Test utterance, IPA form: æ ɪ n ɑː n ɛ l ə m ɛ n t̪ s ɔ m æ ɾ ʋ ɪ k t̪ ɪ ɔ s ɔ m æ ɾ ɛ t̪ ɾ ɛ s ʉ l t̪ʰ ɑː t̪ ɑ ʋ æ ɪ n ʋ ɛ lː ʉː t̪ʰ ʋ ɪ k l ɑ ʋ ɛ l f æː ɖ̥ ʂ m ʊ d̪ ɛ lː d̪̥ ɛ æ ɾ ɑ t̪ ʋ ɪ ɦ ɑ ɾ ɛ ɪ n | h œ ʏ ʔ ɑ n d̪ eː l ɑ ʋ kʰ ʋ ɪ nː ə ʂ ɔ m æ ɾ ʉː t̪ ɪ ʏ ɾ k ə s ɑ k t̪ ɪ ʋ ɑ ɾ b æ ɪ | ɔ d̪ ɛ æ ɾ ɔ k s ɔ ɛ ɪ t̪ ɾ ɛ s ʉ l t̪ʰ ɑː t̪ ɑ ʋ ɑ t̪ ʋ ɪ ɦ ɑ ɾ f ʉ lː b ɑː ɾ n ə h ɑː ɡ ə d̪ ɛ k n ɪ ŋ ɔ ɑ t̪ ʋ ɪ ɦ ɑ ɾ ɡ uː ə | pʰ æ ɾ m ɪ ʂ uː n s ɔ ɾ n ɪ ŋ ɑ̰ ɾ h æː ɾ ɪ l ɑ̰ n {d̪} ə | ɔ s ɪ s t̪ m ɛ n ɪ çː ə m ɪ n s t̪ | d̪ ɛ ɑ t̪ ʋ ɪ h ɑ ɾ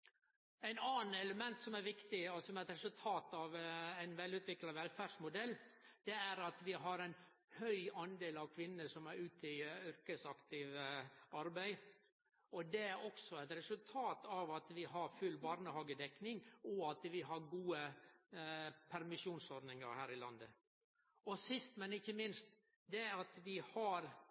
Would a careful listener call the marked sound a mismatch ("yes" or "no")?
no